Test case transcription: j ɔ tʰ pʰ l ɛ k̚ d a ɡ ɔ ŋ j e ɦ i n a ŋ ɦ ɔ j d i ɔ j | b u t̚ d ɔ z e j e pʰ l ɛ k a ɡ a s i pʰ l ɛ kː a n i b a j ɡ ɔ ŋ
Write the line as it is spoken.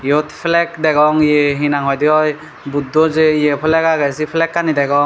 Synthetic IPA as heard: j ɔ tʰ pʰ l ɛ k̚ d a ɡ ɔ ŋ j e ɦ i n a ŋ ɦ ɔ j d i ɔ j | b u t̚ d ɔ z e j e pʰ l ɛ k a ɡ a s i pʰ l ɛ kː a n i d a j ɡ ɔ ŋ